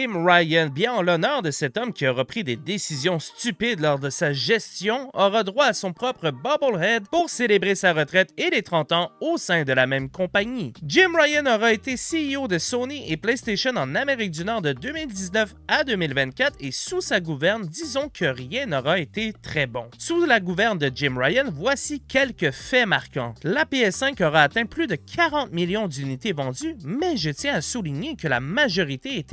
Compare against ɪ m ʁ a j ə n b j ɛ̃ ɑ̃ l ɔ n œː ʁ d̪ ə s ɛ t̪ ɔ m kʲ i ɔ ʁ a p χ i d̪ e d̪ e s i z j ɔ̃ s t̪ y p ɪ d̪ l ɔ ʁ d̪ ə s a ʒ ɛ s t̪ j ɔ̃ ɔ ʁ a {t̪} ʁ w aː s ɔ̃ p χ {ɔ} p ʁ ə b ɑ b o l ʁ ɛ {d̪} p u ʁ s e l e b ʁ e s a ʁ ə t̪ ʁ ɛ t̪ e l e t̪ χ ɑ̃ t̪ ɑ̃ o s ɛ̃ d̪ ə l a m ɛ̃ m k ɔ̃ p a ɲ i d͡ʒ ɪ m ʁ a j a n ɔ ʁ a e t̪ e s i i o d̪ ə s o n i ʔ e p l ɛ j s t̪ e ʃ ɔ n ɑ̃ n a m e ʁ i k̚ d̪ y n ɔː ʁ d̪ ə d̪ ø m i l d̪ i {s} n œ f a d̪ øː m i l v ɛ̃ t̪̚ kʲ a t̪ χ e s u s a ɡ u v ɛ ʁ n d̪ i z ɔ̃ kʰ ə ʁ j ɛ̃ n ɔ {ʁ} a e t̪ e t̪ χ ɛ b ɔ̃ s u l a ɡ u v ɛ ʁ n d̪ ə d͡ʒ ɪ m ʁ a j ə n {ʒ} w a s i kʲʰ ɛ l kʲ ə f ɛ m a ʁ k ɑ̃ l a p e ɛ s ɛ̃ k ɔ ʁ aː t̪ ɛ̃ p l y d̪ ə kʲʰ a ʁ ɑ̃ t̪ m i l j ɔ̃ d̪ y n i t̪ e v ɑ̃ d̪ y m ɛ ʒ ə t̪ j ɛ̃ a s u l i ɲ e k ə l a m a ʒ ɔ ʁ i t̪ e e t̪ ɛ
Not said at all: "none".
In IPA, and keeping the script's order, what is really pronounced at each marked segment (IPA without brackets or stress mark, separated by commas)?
d̪, ɔ, d̪, z, ʁ, v